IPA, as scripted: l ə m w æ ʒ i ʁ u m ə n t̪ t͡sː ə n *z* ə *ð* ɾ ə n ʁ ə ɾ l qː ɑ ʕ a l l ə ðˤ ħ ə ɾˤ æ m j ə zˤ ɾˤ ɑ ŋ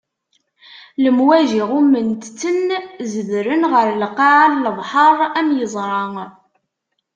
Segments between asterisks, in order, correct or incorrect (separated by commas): correct, correct